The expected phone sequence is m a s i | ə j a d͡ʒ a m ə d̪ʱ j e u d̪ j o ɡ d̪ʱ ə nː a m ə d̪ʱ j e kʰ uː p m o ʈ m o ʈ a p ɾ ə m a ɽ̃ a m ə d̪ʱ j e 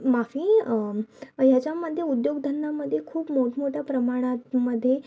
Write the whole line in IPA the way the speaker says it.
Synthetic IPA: m a f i | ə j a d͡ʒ a m ə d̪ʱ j e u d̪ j o ɡ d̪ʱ ə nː a m ə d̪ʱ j e kʰ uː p m o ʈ m o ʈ a p ɾ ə m a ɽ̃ a m ə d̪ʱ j e